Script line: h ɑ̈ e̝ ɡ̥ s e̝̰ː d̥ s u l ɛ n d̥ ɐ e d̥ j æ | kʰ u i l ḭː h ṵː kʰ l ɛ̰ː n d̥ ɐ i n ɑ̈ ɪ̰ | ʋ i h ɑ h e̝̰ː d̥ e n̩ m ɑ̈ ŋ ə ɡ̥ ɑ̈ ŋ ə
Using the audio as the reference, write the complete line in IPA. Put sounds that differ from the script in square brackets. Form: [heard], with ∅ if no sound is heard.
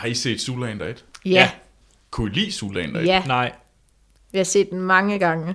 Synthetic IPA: h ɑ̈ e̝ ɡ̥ s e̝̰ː d̥ s u l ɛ n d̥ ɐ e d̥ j æ | kʰ u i l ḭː [s] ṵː [∅] l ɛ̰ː n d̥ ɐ [æ] n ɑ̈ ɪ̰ | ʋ i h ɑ [s] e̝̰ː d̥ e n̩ m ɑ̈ ŋ ə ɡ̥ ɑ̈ ŋ ə